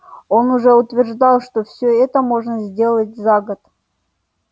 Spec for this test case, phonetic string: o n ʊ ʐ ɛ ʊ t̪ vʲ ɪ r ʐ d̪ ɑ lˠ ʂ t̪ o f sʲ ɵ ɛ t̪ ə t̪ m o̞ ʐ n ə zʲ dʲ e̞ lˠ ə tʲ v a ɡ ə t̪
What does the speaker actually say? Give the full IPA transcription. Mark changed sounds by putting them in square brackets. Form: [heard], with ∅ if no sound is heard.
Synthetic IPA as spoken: o n ʊ ʐ ɛ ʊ t̪ vʲ ɪ r ʐ d̪ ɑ lˠ ʂ t̪ o f sʲ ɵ ɛ t̪ ə [∅] m o̞ ʐ n ə zʲ dʲ e̞ lˠ ə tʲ [z] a ɡ ə t̪